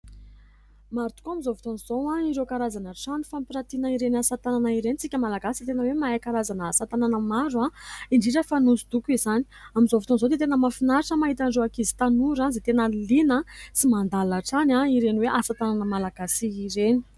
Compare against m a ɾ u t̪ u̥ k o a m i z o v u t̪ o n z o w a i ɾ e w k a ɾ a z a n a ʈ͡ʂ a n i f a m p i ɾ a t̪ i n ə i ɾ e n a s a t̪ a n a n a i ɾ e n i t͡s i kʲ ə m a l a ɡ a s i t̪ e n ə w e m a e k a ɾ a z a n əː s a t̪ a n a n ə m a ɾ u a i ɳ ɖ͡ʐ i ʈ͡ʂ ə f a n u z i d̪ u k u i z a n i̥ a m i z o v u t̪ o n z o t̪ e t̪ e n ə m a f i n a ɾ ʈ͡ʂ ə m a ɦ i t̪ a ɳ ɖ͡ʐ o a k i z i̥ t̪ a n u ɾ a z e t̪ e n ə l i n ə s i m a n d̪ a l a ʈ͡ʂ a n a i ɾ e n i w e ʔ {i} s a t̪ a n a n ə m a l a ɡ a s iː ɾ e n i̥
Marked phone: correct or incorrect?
incorrect